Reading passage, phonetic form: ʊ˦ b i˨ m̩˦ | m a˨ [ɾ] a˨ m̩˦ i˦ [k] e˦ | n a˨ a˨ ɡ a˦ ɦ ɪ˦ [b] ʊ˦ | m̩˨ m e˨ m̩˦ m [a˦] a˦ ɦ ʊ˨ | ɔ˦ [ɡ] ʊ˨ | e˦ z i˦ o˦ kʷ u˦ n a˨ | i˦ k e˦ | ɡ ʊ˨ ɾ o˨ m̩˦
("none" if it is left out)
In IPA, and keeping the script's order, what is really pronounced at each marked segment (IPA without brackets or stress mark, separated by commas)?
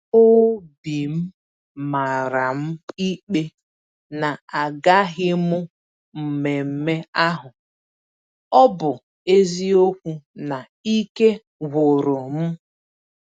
ɾ, k͡p, m, e˦, b